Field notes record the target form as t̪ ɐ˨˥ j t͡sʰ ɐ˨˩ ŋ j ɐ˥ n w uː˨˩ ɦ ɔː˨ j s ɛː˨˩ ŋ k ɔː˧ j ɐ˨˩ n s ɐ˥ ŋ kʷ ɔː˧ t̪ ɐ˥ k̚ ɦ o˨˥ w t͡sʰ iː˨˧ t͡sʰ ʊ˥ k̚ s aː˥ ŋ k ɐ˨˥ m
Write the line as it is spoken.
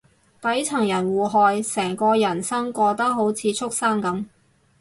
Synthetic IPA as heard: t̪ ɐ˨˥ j t͡sʰ ɐ˨˩ ŋ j ɐ˨˩ n w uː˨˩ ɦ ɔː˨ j s ɛː˨˩ ŋ k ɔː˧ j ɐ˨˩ n s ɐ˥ ŋ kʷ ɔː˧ t̪ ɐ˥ k̚ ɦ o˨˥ w t͡sʰ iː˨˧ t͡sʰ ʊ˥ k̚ s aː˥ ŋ k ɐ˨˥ m